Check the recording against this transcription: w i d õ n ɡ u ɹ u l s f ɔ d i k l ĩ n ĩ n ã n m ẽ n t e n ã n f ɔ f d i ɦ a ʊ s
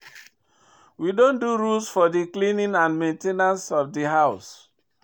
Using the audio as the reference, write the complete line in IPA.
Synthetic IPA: w i d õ n d u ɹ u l s f ɔ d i k l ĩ n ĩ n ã n m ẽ n t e n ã n s ɔ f d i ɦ a ʊ s